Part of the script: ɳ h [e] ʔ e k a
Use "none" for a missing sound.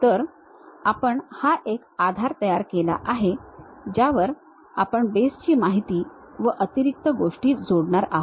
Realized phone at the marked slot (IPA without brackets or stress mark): a